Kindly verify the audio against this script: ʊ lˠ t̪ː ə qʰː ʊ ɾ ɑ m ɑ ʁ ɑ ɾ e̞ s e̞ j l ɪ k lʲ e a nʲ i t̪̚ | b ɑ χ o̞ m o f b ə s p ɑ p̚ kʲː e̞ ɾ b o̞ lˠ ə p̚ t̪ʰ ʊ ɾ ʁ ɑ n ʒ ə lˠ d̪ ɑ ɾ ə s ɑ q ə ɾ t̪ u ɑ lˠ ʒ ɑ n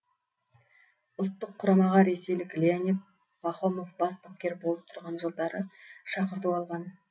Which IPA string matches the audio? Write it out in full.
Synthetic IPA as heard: ʊ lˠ t̪ː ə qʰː ʊ ɾ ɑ m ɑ ʁ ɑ ɾ e̞ s e̞ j l ɪ k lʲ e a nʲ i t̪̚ | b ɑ χ o̞ m o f b ɑ s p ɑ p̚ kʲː e̞ ɾ b o̞ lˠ ə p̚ t̪ʰ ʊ ɾ ʁ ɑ n ʒ ə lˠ d̪ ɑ ɾ ə ʃ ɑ q ə ɾ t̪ u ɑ lˠ ʁ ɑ n